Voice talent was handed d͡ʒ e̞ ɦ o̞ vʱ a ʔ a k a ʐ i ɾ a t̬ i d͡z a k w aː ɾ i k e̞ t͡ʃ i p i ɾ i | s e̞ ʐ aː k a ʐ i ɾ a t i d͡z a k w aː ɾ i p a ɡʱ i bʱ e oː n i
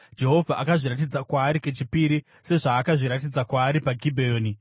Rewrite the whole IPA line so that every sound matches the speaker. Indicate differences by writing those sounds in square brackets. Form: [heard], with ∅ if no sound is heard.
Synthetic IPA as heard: d͡ʒ e̞ ɦ o̞ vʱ a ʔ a k a ʐ i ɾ a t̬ i d͡z a k w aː ɾ i k e̞ t͡ʃ i p i ɾ i | s e̞ ʐ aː k a ʐ i ɾ a t i d͡z a k w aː ɾ i p a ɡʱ i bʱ e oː n i